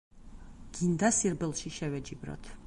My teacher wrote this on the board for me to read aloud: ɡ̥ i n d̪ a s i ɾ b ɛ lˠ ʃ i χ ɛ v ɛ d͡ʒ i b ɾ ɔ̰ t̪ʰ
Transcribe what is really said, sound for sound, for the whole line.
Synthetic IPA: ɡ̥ i n d̪ a s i ɾ b ɛ lˠ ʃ i ʃ ɛ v ɛ d͡ʒ i b ɾ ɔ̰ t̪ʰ